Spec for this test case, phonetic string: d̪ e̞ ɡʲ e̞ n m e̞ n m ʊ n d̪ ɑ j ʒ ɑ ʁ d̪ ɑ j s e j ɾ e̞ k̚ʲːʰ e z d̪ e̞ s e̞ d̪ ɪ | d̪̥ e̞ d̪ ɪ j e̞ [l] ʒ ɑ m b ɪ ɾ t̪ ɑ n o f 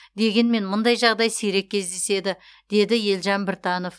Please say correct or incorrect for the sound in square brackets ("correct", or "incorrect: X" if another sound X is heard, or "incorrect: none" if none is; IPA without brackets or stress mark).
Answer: correct